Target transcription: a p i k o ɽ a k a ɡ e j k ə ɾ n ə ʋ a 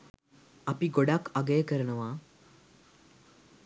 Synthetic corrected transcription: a p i ɡ o ɽ a k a ɡ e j k ə ɾ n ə ʋ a